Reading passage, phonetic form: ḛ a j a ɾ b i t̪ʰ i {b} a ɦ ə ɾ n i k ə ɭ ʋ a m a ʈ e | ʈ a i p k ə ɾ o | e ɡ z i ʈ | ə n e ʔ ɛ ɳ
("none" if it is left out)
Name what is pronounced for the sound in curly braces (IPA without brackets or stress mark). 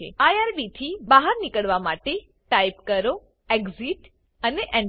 b